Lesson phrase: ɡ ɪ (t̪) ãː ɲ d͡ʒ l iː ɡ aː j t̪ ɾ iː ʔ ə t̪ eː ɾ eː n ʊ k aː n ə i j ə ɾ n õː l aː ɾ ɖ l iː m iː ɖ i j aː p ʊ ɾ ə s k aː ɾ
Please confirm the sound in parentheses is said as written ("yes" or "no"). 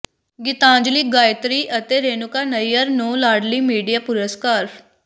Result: yes